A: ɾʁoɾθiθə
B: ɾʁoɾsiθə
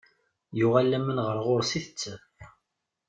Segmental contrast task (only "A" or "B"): B